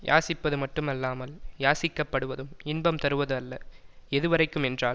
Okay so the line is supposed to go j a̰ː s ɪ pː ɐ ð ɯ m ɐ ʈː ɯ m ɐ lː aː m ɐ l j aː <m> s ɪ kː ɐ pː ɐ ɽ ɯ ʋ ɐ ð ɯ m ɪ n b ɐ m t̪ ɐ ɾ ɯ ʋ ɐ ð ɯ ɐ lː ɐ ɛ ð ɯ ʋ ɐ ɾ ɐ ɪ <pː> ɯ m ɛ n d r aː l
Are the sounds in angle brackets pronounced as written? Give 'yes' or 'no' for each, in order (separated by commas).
no, no